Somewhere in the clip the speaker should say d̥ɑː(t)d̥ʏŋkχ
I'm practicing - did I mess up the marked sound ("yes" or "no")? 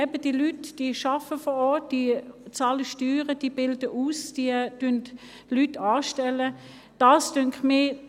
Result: yes